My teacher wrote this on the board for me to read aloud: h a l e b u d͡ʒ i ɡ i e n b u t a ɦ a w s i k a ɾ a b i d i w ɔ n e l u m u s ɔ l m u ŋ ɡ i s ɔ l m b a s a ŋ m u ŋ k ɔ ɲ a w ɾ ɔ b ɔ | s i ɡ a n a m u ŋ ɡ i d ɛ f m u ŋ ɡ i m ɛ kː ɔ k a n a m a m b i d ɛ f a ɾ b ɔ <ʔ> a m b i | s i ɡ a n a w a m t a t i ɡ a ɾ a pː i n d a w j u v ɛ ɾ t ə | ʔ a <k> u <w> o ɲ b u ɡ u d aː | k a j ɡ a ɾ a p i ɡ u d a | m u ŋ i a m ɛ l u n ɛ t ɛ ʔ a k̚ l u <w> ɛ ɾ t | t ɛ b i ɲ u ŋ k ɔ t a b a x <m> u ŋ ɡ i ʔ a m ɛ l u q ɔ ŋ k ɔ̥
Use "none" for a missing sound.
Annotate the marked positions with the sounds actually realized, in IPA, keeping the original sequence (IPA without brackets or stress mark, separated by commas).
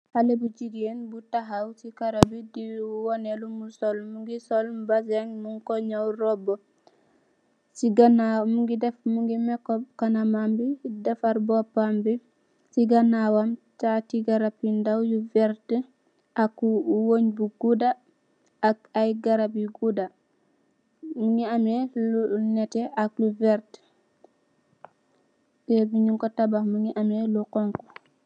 p, k, w, v, m